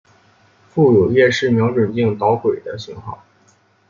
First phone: f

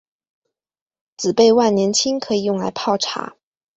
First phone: t͡s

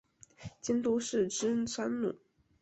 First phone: t͡ɕ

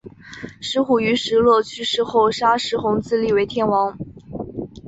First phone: ʂ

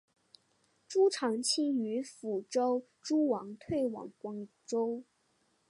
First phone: ʈ͡ʂ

